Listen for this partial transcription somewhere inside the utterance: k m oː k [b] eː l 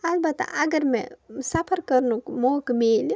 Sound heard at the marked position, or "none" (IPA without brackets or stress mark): m